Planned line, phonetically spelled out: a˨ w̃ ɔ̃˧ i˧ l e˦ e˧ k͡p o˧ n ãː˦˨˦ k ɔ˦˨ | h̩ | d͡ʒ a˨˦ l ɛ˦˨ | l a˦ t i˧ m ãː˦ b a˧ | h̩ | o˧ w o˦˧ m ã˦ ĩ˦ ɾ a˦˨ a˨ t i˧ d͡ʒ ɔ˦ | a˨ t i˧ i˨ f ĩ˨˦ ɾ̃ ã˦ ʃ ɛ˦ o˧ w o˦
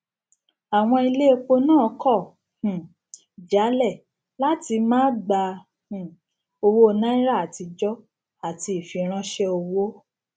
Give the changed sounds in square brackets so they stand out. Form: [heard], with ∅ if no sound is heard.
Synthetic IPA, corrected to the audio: a˨ w̃ ɔ̃˧ i˧ l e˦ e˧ k͡p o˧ n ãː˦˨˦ k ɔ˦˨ | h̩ | d͡ʒ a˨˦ l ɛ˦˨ | l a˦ t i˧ m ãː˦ [ɡ͡b] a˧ | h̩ | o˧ w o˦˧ [n] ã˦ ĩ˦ ɾ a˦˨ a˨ t i˧ d͡ʒ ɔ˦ | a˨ t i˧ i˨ f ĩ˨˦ ɾ̃ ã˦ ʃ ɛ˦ o˧ w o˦